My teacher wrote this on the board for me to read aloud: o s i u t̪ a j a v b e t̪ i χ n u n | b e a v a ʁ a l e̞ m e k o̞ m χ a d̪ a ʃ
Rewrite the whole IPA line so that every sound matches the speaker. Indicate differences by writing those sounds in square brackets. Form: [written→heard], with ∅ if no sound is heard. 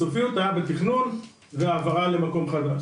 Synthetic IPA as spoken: o [s→f] i u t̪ a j a [v→∅] b e t̪ i χ n u n | [b→v] e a v a ʁ a l e̞ m [e→a] k o̞ m χ a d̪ a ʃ